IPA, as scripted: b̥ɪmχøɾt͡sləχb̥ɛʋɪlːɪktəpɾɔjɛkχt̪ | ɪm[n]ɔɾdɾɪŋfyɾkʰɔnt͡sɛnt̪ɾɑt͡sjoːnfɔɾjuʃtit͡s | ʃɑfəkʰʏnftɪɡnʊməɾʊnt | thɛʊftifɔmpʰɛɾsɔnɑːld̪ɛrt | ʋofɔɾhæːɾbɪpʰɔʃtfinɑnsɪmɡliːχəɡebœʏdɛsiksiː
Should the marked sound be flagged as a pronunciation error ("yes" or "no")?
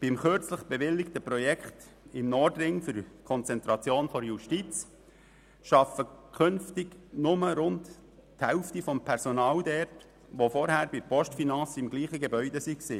no